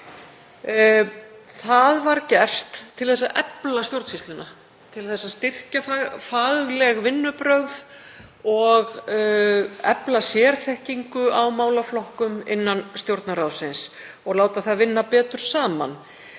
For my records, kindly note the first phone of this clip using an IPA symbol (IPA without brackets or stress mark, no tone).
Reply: θ